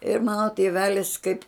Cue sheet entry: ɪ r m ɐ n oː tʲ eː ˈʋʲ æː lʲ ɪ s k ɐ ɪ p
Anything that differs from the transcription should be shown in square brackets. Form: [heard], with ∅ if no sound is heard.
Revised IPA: ɪ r m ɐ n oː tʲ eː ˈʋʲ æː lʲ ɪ s k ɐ ɪ p

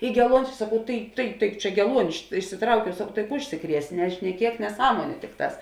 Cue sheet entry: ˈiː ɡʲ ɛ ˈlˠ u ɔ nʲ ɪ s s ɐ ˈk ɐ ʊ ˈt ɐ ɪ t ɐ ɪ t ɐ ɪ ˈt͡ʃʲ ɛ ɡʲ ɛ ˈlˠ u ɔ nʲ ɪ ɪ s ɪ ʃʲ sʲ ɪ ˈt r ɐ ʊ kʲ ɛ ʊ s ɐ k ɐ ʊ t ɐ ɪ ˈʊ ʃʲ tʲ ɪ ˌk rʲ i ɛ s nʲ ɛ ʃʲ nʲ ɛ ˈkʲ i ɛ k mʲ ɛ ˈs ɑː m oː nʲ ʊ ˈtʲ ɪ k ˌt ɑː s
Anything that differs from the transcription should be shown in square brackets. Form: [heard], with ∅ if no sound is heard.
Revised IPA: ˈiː ɡʲ ɛ ˈlˠ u ɔ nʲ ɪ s s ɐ ˈk ɐ ʊ ˈt ɐ ɪ t ɐ ɪ t ɐ ɪ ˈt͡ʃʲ ɛ ɡʲ ɛ ˈlˠ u ɔ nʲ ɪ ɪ [ʃ] ɪ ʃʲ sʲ ɪ ˈt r ɐ ʊ kʲ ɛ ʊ s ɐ k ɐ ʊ t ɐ ɪ ˈʊ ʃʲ [sʲ] ɪ ˌk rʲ i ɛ s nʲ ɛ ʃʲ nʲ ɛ ˈkʲ i ɛ k [nʲ] ɛ ˈs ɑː m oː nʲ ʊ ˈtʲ ɪ k ˌt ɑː s

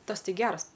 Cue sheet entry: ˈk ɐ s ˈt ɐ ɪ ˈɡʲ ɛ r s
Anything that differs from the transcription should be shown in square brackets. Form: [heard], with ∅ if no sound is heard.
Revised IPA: [ˈt] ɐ s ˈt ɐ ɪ ˈɡʲ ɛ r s

